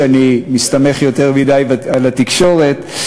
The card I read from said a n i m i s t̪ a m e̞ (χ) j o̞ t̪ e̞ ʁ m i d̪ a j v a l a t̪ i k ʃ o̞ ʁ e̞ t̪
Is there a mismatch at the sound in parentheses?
no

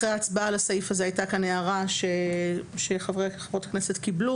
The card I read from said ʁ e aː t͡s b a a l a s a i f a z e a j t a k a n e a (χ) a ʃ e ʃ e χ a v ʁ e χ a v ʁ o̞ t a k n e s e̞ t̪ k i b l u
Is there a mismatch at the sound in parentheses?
yes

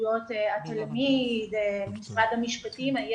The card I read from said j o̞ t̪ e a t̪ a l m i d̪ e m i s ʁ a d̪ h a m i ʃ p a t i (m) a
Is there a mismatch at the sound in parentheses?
no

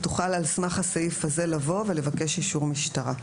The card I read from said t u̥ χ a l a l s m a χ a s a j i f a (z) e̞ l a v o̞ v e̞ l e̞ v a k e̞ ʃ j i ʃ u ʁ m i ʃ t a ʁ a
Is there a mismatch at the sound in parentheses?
no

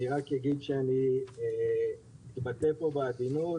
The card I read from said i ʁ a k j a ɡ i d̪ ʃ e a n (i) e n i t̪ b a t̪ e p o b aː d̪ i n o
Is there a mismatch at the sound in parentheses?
no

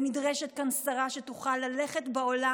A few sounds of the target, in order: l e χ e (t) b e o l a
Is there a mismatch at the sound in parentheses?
no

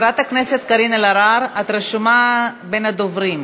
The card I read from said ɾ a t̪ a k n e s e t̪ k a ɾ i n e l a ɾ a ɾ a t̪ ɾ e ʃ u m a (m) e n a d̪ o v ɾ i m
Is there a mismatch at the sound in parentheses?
yes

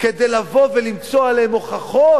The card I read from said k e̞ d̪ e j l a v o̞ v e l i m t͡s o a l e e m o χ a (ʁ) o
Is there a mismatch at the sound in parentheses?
yes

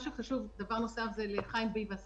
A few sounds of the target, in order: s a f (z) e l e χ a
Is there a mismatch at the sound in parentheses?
no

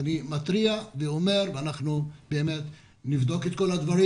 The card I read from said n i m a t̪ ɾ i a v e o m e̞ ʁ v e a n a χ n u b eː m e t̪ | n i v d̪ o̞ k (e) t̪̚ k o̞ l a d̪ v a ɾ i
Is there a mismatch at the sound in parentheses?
no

